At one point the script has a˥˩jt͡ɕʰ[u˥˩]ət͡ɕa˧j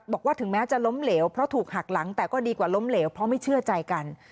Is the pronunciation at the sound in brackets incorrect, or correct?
incorrect